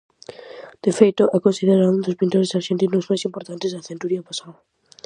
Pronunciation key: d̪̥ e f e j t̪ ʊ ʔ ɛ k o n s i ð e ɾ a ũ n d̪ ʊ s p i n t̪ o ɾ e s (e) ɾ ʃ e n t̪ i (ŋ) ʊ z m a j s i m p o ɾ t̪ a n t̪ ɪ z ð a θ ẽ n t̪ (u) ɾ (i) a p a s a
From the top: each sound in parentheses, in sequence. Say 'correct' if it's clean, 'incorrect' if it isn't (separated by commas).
incorrect, incorrect, correct, correct